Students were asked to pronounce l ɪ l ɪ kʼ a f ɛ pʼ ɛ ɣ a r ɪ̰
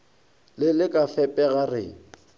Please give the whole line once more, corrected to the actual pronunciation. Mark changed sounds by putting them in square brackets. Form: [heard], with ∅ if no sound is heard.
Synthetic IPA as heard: l ɪ l ɪ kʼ a f ɛ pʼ ɛ ɣ a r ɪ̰